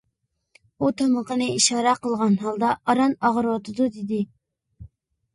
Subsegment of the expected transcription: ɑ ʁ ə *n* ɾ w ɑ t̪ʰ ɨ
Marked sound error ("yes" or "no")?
yes